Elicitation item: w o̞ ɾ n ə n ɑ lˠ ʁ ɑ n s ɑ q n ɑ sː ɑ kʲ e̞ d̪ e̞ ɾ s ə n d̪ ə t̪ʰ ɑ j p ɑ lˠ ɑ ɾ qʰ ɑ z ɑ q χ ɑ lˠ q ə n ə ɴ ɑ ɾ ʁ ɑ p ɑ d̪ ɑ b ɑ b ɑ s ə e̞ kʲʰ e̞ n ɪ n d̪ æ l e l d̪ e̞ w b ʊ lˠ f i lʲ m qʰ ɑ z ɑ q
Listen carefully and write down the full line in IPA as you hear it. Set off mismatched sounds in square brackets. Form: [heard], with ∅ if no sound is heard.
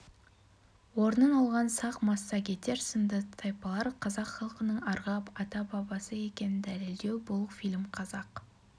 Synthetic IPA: w o̞ ɾ n ə n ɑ lˠ ʁ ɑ n s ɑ q [m] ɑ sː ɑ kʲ e̞ [t̪] e̞ ɾ s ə n d̪ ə t̪ʰ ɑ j p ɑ lˠ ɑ ɾ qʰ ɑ z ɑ q χ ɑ lˠ q ə n ə ɴ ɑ ɾ ʁ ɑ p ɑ [t̪] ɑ b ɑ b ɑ s ə e̞ [kʲ] e̞ n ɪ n d̪ æ l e l d̪ e̞ w b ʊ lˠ f i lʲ m qʰ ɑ z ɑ q